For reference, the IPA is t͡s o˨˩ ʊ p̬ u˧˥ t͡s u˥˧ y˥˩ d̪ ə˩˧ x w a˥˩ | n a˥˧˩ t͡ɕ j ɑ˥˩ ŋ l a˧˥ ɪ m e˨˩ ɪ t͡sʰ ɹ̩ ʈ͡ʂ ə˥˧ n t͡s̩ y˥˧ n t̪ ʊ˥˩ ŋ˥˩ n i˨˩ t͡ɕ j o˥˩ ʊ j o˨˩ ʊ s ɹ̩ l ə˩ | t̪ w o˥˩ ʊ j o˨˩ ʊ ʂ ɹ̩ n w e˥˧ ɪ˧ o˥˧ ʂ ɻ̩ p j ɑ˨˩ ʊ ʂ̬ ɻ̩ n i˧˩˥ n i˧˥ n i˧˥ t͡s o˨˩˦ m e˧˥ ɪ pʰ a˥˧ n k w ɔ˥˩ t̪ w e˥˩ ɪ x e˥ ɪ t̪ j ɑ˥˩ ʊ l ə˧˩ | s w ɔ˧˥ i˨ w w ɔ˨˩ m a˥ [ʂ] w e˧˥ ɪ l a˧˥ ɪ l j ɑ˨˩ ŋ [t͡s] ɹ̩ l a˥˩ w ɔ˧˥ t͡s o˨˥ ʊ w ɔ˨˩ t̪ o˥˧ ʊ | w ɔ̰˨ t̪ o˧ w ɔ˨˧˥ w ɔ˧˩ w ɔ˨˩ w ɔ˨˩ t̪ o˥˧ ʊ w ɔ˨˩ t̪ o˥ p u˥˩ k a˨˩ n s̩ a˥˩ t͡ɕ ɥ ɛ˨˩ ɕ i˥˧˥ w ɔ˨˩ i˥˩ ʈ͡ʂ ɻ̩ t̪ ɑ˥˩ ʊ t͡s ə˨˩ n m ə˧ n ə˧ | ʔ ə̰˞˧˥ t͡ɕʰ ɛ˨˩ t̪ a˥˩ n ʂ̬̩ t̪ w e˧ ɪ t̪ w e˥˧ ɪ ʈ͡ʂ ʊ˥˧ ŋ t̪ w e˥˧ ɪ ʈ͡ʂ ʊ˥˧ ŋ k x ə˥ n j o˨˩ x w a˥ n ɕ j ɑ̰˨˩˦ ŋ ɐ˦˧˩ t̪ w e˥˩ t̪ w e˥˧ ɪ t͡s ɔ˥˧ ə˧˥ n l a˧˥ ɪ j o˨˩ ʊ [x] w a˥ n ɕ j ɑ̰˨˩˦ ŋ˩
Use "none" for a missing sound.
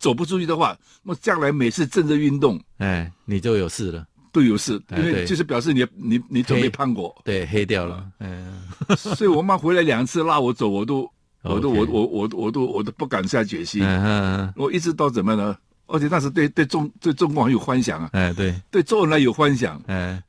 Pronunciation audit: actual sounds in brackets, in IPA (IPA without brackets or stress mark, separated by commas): x, t͡sʰ, x